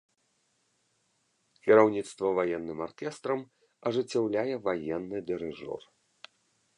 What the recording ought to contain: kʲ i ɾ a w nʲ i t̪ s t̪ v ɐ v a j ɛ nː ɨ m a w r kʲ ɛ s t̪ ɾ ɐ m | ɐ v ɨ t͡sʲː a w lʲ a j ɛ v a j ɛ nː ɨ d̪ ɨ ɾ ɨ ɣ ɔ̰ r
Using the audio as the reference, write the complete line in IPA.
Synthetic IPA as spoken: kʲ i ɾ a w nʲ i t̪ s t̪ v ɐ v a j ɛ nː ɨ m a r kʲ ɛ s t̪ ɾ ɐ m | ɐ ʐ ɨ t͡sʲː a w lʲ a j ɛ v a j ɛ nː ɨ d̪ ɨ ɾ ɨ ʐ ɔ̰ r